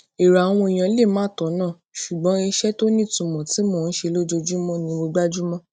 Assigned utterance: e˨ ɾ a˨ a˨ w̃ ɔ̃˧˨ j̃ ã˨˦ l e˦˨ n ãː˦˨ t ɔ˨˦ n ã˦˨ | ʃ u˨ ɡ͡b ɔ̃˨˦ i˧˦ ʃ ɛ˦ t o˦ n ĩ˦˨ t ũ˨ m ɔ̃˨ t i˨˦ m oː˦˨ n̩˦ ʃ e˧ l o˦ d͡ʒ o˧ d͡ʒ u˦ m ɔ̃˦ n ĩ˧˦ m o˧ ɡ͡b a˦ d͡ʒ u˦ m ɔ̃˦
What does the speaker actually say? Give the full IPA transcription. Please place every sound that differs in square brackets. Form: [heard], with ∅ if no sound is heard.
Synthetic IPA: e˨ ɾ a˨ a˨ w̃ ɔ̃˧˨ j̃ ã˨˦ l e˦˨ [m] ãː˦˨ t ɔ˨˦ n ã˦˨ | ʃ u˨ ɡ͡b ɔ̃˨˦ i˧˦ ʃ ɛ˦ t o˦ n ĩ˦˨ t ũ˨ m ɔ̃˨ t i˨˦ m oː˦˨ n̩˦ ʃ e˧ l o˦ d͡ʒ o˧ d͡ʒ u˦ m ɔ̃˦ n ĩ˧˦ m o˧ ɡ͡b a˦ d͡ʒ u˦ m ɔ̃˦